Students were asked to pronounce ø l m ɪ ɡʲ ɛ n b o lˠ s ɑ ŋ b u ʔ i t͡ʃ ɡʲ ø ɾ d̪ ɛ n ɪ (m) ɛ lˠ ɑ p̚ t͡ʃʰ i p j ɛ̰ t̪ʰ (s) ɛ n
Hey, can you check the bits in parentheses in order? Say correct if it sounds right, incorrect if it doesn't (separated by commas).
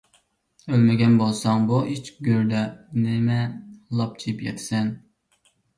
correct, correct